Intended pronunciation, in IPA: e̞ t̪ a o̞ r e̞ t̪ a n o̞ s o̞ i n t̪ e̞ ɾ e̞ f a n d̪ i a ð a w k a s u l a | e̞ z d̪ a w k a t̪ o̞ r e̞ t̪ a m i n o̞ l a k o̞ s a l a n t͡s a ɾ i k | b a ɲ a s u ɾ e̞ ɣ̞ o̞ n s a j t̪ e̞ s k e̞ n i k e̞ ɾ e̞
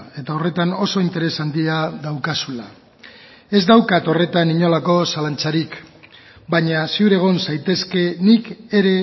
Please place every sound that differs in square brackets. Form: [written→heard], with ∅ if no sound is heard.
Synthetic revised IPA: e̞ t̪ a o̞ r e̞ t̪ a n o̞ s o̞ i n t̪ e̞ ɾ e̞ [f→s] a n d̪ i a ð a w k a s u l a | e̞ z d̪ a w k a t̪ o̞ r e̞ t̪ a [m→n] i [n→ɲ] o̞ l a k o̞ s a l a n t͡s a ɾ i k | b a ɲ a s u ɾ e̞ ɣ̞ o̞ n s a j t̪ e̞ s k e̞ n i k e̞ ɾ e̞